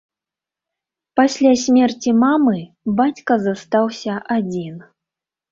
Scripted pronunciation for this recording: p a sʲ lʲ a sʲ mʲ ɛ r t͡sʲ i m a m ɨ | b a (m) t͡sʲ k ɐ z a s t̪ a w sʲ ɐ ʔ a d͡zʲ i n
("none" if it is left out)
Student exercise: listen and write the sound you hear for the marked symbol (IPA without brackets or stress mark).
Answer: none